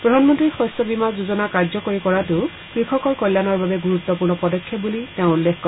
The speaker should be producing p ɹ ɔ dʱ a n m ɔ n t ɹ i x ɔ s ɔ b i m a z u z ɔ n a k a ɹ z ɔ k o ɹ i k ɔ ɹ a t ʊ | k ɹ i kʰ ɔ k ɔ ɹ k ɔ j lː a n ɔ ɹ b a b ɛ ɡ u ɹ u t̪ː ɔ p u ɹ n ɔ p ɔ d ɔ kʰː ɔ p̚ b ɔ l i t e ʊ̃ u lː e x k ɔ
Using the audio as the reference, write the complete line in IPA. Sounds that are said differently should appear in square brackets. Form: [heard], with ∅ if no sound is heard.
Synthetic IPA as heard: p ɹ ɔ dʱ a n m ɔ n t ɹ i x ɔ s ɔ b i m a z u z ɔ n a k a ɹ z ɔ k o ɹ i k ɔ ɹ a t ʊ | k ɹ i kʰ ɔ k ɔ ɹ k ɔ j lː a n ɔ ɹ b a b ɛ ɡ u ɹ u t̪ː ɔ p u ɹ n ɔ p ɔ d ɔ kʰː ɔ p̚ b [u] l i t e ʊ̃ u lː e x k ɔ